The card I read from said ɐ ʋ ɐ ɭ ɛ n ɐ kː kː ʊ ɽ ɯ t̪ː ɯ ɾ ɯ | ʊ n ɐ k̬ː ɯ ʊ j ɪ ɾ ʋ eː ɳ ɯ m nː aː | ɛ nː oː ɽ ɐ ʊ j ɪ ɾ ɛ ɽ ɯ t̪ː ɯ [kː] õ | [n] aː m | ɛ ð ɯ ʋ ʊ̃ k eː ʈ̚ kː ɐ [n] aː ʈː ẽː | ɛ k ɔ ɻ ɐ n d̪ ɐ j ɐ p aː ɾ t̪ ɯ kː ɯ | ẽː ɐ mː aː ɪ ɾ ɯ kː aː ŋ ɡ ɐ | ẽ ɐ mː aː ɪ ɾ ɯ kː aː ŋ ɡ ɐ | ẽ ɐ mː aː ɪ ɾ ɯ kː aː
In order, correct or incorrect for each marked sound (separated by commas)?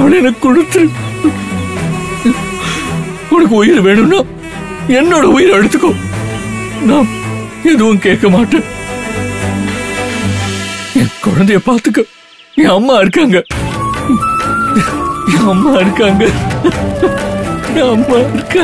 correct, correct, incorrect